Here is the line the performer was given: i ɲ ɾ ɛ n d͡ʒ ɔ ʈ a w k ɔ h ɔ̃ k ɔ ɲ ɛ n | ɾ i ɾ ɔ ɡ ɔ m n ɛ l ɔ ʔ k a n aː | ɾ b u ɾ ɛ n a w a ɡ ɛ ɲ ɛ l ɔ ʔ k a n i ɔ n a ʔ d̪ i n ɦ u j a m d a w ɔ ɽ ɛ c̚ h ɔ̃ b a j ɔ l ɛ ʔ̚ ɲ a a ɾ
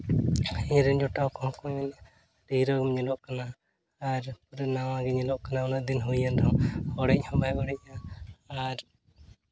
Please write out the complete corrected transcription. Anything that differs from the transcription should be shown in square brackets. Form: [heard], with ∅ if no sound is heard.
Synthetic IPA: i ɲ ɾ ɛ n d͡ʒ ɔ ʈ a w k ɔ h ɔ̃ k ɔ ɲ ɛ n | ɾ i ɾ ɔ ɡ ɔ m [ɲ] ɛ l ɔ ʔ k a n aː | ɾ [p] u ɾ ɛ n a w a ɡ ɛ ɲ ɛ l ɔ ʔ k a n [a] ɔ n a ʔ d̪ i n ɦ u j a [n] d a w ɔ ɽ ɛ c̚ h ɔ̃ b a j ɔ [ɽ] ɛ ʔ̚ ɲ a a ɾ